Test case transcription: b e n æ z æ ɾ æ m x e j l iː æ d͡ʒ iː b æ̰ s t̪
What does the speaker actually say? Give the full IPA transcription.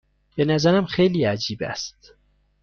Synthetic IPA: b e n æ z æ ɾ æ m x e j l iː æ d͡ʒ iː b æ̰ s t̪